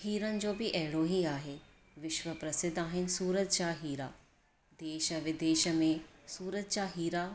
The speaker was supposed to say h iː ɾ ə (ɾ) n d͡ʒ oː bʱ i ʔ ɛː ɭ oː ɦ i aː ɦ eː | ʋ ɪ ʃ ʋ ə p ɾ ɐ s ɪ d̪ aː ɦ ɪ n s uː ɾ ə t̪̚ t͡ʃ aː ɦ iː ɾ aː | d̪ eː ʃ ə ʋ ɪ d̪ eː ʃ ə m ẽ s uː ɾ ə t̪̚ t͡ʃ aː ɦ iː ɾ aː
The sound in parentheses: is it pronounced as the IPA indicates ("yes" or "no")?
no